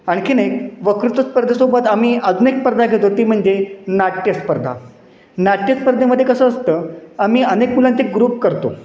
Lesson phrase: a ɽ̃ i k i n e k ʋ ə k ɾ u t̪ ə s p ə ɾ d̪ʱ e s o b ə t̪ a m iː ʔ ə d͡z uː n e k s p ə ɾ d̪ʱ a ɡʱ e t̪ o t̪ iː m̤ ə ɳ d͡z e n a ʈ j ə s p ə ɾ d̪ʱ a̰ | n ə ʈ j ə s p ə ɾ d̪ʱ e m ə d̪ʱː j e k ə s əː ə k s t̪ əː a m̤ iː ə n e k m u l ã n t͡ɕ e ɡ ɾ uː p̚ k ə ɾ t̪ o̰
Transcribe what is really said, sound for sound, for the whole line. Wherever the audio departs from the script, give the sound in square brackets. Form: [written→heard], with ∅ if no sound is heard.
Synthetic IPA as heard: a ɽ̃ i k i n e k ʋ ə k ɾ u t̪ ə s p ə ɾ d̪ʱ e s o b ə t̪ a m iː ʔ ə d͡z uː n e k s p ə ɾ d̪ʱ a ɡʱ e t̪ o t̪ iː m̤ ə ɳ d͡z e n a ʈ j ə s p ə ɾ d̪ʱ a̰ | n [ə→a] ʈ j ə s p ə ɾ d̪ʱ e m ə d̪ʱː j e k ə s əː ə [k→∅] s t̪ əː a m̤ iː ə n e k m u l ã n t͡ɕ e ɡ ɾ uː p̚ k ə ɾ t̪ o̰